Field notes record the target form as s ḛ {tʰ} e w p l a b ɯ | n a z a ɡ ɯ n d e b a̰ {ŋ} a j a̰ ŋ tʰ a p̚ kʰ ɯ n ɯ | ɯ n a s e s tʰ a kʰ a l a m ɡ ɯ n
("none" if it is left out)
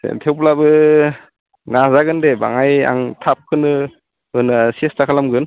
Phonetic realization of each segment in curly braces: tʰ, ŋ

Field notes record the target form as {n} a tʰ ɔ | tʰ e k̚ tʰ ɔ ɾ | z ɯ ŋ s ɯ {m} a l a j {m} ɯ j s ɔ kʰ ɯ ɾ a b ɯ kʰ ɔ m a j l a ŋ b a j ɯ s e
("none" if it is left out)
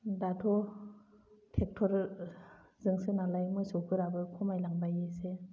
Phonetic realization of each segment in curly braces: d, n, m

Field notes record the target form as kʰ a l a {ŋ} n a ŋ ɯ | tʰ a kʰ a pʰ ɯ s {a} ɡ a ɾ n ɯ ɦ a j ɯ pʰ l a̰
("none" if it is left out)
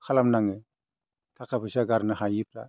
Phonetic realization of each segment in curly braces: m, a

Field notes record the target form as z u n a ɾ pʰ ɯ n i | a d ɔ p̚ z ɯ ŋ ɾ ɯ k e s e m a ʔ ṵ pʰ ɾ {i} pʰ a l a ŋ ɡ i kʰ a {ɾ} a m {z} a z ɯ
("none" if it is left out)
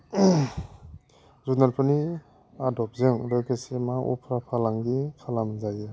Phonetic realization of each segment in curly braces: a, l, z

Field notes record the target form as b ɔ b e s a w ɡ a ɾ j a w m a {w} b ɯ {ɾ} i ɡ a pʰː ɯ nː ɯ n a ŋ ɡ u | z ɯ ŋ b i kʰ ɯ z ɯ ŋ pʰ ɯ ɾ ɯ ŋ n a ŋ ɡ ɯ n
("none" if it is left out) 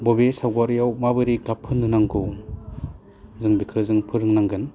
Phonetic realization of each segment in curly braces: none, ɾ

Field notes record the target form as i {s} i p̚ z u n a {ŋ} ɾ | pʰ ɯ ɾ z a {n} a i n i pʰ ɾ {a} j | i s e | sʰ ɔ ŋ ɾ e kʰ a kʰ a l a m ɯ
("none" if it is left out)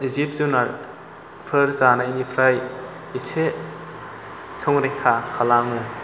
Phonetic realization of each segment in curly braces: z, none, n, a

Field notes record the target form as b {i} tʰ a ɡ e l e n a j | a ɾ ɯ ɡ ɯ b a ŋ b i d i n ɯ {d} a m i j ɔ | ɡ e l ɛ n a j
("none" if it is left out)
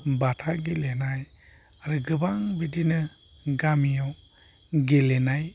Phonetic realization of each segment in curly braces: a, ɡ

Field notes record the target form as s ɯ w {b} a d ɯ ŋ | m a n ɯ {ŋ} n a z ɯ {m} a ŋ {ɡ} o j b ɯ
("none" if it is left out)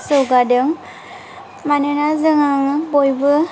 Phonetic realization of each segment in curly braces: ɡ, none, ŋ, b

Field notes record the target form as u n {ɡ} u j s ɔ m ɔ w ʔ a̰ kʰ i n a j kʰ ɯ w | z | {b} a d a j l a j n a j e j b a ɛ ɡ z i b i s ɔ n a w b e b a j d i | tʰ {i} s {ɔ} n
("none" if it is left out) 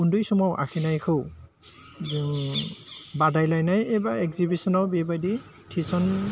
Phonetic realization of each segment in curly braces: d, b, i, ɔ

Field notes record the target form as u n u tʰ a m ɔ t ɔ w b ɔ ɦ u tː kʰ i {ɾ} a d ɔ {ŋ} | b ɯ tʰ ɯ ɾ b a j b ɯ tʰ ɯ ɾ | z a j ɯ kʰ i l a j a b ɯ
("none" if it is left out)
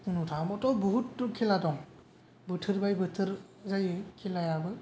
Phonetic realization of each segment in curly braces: l, ŋ

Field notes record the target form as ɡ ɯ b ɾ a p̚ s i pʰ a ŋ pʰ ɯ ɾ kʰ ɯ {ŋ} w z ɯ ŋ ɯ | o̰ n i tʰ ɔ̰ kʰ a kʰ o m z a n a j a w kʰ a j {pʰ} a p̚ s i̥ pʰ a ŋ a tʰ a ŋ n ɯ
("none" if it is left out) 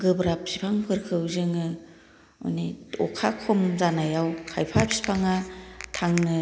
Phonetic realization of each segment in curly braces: none, pʰ

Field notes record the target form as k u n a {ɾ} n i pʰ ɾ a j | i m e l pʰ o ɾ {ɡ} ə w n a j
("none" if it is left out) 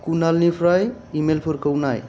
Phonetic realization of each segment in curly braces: l, k

